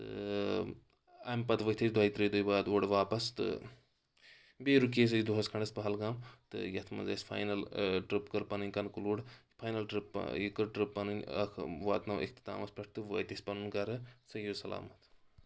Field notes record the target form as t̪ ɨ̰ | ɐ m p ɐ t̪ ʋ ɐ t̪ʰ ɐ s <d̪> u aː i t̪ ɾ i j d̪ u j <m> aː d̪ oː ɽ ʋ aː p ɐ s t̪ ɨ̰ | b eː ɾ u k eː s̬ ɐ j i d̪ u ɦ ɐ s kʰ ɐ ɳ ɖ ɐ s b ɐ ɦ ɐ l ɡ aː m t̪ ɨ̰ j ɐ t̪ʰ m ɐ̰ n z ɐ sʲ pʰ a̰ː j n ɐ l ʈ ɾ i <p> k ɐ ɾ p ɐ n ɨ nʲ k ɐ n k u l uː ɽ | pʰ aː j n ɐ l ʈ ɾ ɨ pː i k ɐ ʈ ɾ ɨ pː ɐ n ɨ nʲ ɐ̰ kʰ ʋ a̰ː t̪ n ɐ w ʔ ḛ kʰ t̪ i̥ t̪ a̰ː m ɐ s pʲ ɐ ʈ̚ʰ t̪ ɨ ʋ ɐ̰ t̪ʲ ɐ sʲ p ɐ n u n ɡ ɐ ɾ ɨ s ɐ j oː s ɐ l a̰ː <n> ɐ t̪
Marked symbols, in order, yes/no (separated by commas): yes, no, yes, no